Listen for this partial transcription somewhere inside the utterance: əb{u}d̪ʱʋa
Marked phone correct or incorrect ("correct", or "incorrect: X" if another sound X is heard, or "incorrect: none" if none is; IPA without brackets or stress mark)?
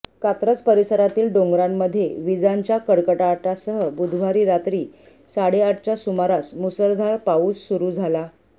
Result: correct